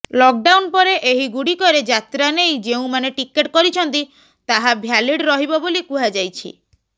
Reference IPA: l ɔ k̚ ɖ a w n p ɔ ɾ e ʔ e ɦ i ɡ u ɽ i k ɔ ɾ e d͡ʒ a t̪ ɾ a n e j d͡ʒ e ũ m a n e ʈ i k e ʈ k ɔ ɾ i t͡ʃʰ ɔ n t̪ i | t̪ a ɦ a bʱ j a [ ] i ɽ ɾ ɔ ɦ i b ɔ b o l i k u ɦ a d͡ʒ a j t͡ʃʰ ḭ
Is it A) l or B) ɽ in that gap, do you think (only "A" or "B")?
A